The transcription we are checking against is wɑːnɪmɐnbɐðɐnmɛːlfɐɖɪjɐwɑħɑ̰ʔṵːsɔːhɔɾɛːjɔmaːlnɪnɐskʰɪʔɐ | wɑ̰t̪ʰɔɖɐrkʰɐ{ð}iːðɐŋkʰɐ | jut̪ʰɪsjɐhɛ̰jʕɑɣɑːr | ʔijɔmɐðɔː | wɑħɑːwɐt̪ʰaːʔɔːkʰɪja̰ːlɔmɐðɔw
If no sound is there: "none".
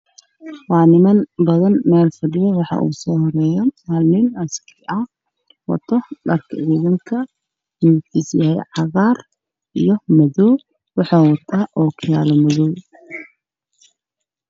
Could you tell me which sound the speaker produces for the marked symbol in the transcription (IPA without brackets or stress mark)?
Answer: ʕ